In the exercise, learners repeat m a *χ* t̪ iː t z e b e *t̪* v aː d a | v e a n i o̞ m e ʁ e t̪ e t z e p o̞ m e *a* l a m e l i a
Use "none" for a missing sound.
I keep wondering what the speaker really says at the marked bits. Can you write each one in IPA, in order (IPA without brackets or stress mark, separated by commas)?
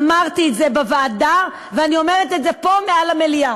ʁ, none, a